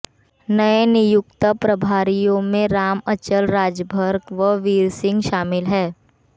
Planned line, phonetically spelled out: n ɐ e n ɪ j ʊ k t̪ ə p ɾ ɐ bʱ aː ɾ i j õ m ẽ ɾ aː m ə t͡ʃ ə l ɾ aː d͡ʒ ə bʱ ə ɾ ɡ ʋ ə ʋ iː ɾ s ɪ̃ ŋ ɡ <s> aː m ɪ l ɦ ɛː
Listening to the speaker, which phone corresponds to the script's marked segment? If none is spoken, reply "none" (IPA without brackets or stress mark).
ʃ